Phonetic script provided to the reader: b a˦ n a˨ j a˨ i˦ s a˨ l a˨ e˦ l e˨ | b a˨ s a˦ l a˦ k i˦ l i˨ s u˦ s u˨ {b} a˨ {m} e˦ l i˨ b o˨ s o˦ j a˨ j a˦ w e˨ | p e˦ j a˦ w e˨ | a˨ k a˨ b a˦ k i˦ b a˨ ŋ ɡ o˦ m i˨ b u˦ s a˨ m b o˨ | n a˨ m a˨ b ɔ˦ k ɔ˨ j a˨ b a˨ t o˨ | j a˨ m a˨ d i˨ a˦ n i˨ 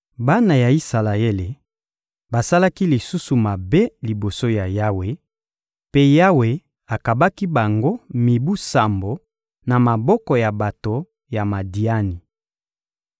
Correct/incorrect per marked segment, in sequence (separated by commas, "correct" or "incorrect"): incorrect, incorrect